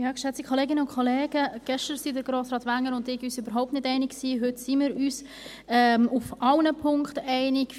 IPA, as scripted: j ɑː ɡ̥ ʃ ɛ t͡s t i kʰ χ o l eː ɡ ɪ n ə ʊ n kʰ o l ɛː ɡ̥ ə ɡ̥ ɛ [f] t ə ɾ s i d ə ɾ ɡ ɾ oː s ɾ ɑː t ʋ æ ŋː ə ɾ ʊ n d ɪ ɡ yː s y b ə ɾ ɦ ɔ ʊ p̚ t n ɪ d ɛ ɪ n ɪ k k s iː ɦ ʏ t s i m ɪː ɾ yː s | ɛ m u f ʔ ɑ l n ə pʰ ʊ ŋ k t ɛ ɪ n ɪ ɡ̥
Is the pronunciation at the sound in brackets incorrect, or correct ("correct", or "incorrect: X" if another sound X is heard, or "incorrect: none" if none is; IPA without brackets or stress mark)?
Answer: incorrect: ʃ